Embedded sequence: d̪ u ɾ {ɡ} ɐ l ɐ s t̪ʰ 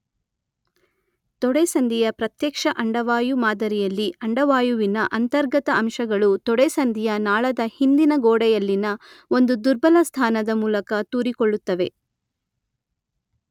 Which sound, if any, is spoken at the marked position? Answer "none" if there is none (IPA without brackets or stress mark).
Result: b